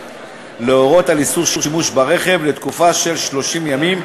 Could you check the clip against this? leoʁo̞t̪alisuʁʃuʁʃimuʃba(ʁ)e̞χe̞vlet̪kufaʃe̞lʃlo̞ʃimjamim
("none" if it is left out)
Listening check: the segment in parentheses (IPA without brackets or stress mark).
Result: ʁ